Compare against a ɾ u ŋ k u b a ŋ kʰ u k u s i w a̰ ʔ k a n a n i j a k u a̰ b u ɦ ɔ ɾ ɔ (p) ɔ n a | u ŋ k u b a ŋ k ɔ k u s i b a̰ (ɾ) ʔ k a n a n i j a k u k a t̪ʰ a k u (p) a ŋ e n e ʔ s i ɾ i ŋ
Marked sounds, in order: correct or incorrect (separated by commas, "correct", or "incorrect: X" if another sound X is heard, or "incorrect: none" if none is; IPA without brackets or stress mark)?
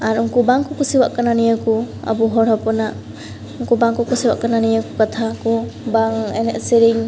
correct, incorrect: none, incorrect: b